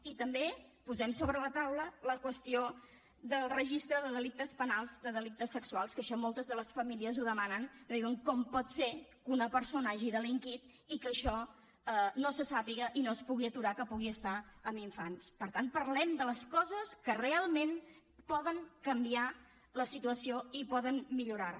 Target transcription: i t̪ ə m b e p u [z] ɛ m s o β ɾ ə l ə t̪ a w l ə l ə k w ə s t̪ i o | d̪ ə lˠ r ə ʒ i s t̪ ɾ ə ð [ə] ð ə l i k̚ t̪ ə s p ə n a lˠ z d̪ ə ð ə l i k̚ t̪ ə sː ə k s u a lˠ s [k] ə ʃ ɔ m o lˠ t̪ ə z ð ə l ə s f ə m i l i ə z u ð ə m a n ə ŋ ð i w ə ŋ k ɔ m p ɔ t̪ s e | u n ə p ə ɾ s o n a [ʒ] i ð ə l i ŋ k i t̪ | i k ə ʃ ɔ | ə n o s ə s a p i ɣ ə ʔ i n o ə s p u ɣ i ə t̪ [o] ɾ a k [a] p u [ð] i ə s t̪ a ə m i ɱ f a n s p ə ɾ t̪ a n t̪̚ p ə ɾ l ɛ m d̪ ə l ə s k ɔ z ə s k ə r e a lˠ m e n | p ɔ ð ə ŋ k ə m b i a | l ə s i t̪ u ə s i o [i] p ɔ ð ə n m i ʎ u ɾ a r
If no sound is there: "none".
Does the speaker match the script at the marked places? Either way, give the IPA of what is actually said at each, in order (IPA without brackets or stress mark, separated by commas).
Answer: z, ə, k, ʒ, u, ə, ɣ, i